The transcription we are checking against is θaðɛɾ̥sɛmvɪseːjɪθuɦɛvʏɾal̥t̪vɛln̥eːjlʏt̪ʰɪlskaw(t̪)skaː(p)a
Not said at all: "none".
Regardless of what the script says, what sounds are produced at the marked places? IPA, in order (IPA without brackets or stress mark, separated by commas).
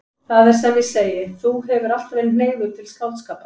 t̪, p